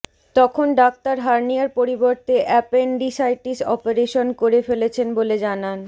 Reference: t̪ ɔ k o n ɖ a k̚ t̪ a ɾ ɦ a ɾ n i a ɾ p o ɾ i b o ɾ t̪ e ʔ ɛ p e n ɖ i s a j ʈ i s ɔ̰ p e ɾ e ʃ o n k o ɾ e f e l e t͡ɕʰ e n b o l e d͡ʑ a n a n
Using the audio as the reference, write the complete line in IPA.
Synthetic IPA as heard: t̪ ɔ kʰ o n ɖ a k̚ t̪ a ɾ ɦ a ɾ n i a ɾ p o ɾ i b o ɾ t̪ e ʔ ɛ p e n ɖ i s a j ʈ i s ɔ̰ p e ɾ e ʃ o n k o ɾ e f e l e t͡ɕʰ e n b o l e d͡ʑ a n a n